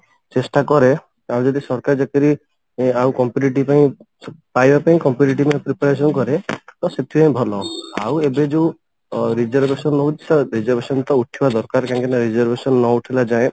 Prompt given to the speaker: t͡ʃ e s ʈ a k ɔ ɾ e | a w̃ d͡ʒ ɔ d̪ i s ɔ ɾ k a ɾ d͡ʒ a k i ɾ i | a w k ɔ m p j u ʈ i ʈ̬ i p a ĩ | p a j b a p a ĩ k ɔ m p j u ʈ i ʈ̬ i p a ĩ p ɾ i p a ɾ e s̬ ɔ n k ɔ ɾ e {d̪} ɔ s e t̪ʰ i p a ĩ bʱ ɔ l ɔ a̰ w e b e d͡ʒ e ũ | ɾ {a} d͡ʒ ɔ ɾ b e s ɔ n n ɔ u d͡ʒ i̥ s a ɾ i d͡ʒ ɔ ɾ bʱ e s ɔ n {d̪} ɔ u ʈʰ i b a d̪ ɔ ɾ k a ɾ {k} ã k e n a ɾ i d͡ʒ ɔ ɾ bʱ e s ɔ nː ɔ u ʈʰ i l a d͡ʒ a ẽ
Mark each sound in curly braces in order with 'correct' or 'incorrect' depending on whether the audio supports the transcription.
incorrect, incorrect, incorrect, correct

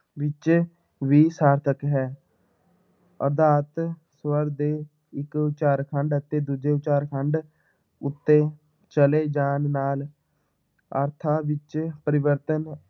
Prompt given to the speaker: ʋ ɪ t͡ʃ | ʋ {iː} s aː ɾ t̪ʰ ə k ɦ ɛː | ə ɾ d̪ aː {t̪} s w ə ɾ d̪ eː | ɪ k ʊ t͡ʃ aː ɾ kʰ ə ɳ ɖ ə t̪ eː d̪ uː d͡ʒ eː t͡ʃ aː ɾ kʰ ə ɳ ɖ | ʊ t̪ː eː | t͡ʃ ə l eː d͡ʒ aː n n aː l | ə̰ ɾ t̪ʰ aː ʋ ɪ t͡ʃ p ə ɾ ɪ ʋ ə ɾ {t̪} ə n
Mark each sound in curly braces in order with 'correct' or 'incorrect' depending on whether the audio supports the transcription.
correct, correct, correct

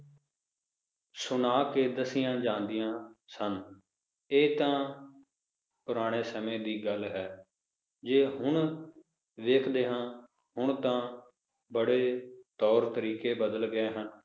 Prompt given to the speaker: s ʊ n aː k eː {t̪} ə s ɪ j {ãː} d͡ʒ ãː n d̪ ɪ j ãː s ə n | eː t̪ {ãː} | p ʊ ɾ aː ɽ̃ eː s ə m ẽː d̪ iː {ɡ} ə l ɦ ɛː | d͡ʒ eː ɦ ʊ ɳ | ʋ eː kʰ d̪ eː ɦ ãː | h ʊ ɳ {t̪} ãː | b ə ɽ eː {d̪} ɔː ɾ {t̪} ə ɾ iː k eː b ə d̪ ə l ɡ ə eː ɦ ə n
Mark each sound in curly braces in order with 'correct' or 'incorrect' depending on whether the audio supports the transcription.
incorrect, correct, correct, correct, correct, incorrect, correct

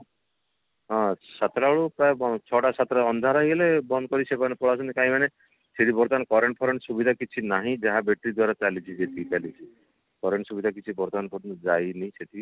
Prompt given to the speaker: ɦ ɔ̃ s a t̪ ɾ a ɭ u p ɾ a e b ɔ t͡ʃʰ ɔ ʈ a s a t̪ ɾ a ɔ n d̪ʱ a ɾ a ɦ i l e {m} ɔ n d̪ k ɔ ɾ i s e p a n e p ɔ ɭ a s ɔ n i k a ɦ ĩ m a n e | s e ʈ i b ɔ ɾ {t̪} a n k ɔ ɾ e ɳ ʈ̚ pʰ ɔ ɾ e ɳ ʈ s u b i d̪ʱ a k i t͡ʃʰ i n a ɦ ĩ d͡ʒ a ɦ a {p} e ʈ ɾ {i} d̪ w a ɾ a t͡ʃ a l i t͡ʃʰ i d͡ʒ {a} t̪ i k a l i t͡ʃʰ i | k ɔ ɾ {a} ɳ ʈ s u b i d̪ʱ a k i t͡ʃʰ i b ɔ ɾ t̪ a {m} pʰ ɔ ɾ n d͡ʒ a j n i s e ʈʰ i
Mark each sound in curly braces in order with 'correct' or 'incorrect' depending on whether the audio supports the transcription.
incorrect, correct, incorrect, correct, incorrect, incorrect, incorrect

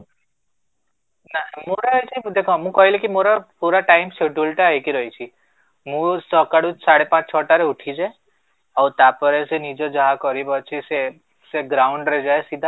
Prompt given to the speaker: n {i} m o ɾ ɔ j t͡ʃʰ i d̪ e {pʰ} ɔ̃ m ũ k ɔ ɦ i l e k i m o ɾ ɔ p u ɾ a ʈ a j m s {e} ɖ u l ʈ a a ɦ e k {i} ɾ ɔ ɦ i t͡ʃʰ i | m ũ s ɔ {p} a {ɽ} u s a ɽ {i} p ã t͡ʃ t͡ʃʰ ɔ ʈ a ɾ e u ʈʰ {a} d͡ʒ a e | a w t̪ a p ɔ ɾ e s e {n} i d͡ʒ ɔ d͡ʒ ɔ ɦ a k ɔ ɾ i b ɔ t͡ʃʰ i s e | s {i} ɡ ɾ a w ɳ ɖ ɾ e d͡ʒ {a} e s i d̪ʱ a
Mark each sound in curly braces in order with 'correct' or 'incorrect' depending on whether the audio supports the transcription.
incorrect, incorrect, correct, correct, incorrect, correct, incorrect, incorrect, correct, incorrect, correct

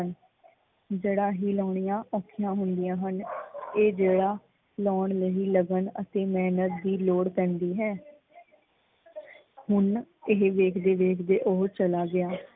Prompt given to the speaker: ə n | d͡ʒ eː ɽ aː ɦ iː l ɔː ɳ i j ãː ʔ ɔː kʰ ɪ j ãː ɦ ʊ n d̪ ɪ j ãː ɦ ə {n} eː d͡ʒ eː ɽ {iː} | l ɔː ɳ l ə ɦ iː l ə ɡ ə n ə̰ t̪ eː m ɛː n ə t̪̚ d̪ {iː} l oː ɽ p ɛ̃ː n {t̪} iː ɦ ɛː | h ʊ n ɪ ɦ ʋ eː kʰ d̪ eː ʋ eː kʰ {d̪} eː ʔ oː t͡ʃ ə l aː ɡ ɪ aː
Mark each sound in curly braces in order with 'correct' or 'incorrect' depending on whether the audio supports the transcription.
correct, incorrect, correct, incorrect, correct

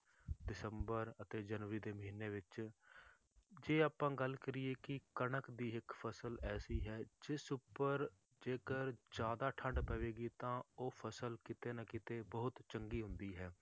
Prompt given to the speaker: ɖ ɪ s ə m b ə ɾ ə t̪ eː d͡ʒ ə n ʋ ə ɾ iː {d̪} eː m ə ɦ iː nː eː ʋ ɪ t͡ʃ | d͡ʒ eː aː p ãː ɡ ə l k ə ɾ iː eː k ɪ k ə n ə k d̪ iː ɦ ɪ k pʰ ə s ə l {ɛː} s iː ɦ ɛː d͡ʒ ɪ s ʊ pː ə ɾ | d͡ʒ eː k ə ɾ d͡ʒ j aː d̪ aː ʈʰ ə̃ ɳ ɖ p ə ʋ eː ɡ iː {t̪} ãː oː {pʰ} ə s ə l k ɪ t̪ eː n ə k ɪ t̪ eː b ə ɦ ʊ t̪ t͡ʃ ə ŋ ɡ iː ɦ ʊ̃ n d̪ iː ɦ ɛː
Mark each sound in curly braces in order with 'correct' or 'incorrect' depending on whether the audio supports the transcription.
correct, correct, correct, correct

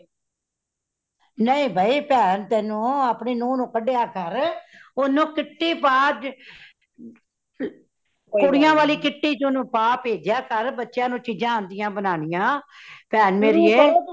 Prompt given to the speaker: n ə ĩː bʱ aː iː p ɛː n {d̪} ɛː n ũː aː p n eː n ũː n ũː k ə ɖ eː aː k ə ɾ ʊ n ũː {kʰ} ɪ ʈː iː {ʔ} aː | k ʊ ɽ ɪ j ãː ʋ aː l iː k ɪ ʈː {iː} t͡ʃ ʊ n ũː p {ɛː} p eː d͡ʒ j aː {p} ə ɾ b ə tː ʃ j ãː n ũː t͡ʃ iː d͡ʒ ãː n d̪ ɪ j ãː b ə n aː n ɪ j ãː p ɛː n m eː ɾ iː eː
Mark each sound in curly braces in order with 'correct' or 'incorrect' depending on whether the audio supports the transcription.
incorrect, incorrect, incorrect, correct, incorrect, incorrect

